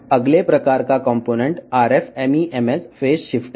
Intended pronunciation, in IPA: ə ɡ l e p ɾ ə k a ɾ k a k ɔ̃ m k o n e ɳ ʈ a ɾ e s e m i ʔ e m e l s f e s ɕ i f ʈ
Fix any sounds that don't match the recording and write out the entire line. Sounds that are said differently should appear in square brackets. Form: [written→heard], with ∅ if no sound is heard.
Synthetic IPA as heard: ə ɡ l e p ɾ ə k a ɾ k a k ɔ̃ m [k→p] o n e ɳ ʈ a ɾ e [s→f] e m i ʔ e m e [l→∅] s f e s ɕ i f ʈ